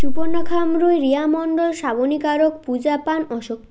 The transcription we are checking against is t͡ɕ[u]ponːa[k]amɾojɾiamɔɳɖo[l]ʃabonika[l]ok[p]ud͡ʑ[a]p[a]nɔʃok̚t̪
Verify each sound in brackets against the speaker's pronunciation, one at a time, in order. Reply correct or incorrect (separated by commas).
correct, incorrect, correct, incorrect, correct, correct, correct